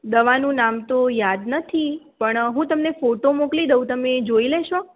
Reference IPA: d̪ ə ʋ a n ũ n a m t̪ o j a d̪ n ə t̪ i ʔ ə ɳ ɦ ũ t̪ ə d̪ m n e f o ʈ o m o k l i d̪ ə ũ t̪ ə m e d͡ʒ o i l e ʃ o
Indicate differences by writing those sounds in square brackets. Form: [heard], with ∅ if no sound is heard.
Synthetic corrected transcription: d̪ ə ʋ a n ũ n a m t̪ o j a d̪ n ə [t̪ʰ] i [p] ə ɳ ɦ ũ t̪ ə [∅] m n e f o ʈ o m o k l i d̪ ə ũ t̪ ə m e d͡ʒ o i l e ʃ o